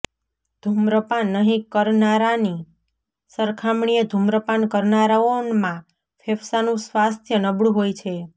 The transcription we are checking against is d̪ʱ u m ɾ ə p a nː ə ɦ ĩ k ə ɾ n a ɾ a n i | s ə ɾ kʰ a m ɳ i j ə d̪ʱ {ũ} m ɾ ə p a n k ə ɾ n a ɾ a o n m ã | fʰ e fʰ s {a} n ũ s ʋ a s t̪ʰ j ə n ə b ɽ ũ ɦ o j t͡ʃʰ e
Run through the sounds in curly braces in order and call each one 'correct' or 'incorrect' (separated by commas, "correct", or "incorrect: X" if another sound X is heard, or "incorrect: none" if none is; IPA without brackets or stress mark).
incorrect: u, correct